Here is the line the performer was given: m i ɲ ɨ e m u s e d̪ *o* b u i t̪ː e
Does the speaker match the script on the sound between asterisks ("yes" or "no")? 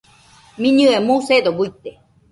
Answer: yes